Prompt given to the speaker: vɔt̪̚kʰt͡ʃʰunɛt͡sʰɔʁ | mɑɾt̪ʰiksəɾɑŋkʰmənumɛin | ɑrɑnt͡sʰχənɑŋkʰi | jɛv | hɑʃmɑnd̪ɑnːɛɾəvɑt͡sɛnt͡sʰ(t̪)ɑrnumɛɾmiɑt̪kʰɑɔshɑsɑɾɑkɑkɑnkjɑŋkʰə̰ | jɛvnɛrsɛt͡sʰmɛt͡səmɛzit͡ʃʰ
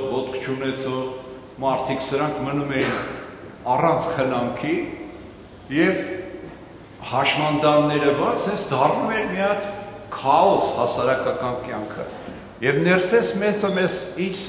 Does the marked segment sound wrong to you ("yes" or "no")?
yes